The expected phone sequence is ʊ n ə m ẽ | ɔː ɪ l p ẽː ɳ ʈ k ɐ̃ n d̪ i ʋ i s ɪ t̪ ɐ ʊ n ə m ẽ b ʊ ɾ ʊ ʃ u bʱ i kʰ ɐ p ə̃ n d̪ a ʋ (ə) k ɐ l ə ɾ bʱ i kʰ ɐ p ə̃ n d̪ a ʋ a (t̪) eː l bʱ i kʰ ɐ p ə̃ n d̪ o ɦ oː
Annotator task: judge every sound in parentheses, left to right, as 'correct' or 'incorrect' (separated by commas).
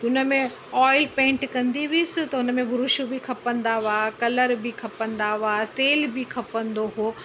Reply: incorrect, correct